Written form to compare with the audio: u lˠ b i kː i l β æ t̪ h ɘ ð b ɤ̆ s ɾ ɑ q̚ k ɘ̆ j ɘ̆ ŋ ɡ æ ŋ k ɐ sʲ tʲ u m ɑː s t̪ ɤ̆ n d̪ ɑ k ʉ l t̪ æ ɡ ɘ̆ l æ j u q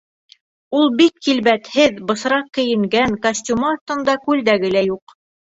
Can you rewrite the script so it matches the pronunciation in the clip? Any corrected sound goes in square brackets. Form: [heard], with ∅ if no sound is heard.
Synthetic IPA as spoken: u lˠ b i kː i l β æ t̪ h ɘ ð b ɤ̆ s ɾ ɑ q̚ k ɘ̆ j ɘ̆ ŋ ɡ æ ŋ k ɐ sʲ tʲ u m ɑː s t̪ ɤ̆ n d̪ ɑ k ʉ l [d̪] æ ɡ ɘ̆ l æ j u q